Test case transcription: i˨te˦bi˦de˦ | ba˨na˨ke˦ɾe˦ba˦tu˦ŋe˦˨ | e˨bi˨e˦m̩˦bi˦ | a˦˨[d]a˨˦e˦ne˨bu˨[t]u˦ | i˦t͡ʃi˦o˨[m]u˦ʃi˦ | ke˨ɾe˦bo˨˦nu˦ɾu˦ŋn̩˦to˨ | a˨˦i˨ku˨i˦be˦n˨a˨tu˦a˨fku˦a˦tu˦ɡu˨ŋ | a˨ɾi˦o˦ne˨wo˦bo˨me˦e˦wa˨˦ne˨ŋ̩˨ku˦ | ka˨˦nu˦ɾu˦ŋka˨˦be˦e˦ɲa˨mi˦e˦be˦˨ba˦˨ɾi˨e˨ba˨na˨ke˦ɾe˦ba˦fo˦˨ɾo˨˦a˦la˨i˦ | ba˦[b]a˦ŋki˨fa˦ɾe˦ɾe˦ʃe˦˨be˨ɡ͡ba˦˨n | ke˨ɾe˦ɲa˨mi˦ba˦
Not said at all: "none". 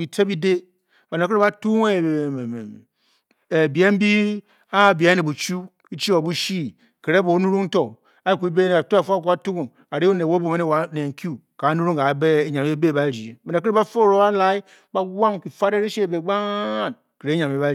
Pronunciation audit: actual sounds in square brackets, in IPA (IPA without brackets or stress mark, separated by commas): b, t͡ʃ, b, w